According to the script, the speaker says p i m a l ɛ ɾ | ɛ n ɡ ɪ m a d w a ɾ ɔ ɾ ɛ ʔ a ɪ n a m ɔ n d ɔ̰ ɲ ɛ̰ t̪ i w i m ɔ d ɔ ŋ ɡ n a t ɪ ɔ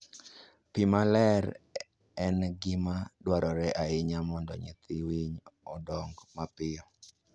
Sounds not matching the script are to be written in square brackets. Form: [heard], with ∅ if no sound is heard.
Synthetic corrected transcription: p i m a l ɛ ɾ | ɛ n ɡ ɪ m a d w a ɾ ɔ ɾ ɛ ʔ a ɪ [ɲ] a m ɔ n d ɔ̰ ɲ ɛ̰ t̪ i w i [ɲ] ɔ d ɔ ŋ ɡ [m] a [p] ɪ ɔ